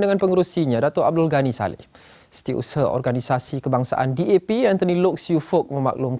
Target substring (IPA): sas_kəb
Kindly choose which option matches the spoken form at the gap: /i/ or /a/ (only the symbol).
i